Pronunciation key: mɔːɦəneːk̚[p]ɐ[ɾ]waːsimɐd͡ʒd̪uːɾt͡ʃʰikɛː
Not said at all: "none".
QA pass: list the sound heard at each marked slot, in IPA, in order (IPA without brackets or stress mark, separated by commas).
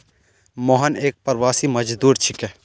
p, ɾ